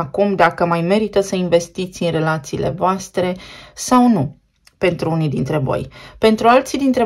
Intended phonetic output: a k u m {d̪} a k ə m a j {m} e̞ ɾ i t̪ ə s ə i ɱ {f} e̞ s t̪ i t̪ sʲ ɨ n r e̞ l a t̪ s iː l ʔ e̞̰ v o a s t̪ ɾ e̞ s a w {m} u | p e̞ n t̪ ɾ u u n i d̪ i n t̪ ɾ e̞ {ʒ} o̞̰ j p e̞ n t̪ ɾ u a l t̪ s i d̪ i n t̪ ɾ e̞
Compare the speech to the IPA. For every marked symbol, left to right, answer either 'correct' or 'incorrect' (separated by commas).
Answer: correct, correct, incorrect, incorrect, incorrect